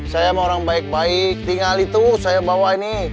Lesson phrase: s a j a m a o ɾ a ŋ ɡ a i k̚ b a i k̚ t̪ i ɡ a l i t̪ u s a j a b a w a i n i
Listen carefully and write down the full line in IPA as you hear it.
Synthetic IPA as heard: s a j a m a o ɾ a ŋ b a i k̚ b a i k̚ t̪ i ŋ a l i t̪ u s a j a b a w a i n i